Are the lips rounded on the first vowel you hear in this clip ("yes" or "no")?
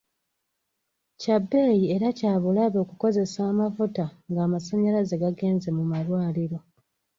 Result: no